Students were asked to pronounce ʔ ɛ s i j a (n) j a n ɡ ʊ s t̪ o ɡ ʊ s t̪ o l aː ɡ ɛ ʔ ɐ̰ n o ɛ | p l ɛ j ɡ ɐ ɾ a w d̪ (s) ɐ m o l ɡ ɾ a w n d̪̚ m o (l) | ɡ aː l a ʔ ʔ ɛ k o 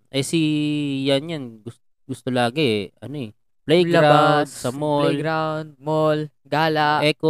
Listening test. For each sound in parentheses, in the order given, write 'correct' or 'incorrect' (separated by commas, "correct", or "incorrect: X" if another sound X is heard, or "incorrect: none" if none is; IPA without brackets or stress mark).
correct, correct, correct